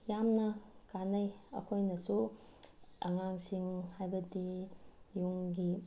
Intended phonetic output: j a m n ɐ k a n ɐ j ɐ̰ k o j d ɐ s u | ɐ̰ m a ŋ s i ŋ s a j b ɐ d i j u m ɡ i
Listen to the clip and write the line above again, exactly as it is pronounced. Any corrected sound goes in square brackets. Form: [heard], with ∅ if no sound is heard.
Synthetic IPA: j a m n ɐ k a n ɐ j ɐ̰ [kʰ] o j [n] ɐ s u | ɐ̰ [ŋ] a ŋ s i ŋ [h] a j b ɐ d i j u [ŋ] ɡ i

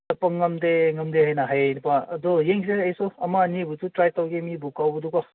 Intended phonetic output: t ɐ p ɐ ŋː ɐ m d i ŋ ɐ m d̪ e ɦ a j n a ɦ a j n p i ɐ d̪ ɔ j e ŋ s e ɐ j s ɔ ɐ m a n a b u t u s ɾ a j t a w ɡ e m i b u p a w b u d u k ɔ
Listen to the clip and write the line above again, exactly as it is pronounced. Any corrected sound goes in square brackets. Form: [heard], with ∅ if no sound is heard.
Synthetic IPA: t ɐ p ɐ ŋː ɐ m d [e] ŋ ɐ m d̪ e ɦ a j n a ɦ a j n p [a] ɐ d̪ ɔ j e ŋ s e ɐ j s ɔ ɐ m a n [i] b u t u [t] ɾ a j t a w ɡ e m i b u [k] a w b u d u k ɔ

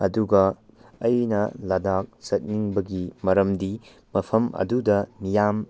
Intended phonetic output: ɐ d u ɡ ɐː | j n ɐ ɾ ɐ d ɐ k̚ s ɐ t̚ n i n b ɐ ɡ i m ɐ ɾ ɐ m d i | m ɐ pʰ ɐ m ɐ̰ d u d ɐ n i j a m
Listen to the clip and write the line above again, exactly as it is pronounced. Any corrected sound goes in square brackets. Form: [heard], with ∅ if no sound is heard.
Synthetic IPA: ɐ d u ɡ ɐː | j n ɐ [l] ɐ d [a] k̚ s ɐ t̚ n i [ŋ] b ɐ ɡ i m ɐ ɾ ɐ m d i | m ɐ pʰ ɐ m ɐ̰ d u d ɐ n i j a m

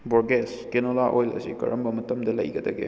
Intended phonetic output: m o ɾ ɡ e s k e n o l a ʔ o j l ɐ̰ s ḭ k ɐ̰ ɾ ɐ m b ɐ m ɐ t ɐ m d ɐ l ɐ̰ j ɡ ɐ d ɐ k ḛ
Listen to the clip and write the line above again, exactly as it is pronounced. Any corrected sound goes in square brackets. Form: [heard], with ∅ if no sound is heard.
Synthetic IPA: [b] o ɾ ɡ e s k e n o l a ʔ o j l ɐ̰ s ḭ k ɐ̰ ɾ ɐ m b ɐ m ɐ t ɐ m d ɐ l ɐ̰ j ɡ ɐ d ɐ [ɡ] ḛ

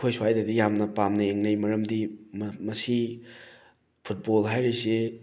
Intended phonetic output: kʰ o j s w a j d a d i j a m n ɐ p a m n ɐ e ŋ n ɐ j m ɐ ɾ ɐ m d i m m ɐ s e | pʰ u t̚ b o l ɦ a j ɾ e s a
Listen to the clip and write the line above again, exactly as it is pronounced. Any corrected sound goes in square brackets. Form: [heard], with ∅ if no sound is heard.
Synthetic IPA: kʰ o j s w a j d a d i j a m n ɐ p a m n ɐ e ŋ n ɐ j m ɐ ɾ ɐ m d i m m ɐ s [i] | pʰ u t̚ b o l ɦ a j ɾ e s [e]

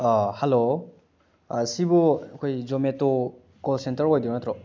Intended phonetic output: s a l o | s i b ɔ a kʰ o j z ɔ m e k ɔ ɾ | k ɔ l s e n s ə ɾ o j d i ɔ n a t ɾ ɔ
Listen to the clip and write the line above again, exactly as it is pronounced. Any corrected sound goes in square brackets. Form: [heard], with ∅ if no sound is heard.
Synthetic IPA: [h] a l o | s i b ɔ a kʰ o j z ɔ m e [t] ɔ [∅] | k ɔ l s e n [t] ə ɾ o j d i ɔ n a t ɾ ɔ

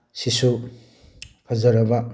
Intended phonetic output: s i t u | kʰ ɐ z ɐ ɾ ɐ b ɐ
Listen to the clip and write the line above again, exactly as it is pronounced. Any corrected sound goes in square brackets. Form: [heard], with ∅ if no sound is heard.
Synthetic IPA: s i [s] u | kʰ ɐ z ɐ ɾ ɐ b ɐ

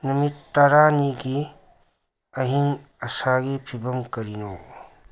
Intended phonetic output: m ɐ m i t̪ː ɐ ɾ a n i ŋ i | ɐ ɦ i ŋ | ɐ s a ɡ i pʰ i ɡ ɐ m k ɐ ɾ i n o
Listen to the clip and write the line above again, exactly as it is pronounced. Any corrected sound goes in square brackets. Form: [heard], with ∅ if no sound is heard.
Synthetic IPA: [n] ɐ m i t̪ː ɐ ɾ a n i [ɡ] i | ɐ ɦ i ŋ | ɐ s a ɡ i pʰ i [b] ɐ m k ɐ ɾ i n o

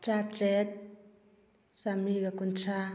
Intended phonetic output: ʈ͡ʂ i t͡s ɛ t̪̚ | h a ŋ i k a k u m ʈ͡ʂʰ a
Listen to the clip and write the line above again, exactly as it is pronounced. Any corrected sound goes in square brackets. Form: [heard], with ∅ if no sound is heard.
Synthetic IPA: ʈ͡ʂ [a] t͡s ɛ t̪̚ | [s] a [m] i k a k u [n] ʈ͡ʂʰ a

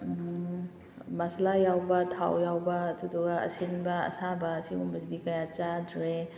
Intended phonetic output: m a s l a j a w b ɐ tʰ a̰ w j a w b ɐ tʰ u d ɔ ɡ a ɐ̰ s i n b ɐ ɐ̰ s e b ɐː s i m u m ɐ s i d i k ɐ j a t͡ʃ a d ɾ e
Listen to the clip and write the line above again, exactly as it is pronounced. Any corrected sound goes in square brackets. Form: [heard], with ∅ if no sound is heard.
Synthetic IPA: m a s l a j a w b ɐ tʰ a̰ w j a w b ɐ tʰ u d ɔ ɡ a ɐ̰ s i n b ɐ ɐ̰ s [a] b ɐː s i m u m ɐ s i d i k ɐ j a t͡ʃ a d ɾ e

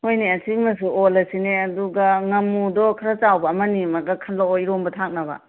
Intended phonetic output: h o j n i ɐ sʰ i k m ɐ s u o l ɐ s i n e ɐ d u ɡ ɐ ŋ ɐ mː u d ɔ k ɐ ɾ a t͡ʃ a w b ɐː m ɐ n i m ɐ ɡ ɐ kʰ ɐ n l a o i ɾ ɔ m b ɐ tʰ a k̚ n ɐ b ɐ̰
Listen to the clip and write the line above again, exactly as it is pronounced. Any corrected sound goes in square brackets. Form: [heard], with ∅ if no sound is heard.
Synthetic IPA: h o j n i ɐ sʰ i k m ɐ s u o l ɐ s i n e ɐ d u ɡ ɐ ŋ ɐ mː u d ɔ [kʰ] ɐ ɾ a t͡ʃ a w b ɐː m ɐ n i m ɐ ɡ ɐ kʰ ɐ n l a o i ɾ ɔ m b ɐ tʰ a k̚ n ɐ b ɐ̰

